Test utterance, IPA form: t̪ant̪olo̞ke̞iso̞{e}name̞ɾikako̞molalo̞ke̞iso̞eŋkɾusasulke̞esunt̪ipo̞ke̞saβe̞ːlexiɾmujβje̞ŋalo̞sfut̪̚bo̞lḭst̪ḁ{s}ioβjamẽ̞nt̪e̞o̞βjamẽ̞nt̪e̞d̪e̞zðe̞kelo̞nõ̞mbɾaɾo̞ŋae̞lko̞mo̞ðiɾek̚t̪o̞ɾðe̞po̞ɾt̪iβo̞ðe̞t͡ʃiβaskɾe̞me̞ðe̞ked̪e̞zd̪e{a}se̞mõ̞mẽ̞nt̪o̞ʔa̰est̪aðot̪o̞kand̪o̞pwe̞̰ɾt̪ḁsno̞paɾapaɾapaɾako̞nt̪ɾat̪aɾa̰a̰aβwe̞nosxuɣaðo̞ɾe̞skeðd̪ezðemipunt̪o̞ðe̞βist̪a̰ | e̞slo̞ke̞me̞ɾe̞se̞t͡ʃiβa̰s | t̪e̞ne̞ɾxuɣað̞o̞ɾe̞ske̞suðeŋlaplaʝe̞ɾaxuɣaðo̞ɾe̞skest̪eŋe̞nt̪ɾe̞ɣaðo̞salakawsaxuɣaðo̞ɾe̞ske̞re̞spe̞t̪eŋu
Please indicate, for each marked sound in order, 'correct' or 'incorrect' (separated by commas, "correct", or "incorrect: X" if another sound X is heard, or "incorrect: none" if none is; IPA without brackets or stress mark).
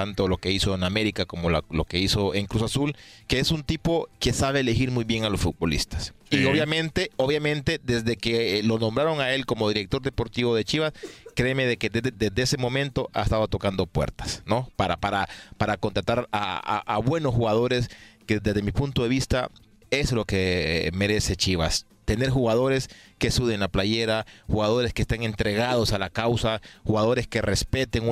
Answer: correct, correct, incorrect: e